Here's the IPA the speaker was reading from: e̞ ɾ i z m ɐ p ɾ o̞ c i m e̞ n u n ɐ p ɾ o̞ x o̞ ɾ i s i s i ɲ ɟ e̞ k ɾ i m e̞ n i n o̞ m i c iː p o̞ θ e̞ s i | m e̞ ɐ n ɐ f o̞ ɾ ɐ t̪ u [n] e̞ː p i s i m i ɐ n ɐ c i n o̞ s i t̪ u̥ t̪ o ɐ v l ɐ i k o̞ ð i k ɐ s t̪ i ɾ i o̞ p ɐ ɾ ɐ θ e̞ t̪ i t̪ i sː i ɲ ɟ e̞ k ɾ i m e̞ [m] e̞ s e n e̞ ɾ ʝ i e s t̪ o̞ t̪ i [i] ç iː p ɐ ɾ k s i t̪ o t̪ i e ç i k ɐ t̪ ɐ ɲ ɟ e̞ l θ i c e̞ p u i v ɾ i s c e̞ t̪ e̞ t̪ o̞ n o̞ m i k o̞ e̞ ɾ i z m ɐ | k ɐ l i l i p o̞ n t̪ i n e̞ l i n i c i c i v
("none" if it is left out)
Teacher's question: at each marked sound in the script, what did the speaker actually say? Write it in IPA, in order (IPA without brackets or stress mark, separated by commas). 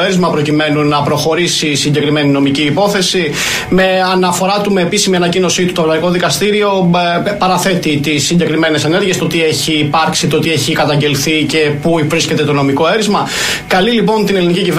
m, n, e